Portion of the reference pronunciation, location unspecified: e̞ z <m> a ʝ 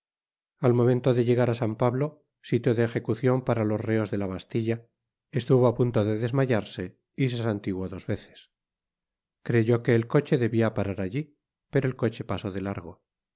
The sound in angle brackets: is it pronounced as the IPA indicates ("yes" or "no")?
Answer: yes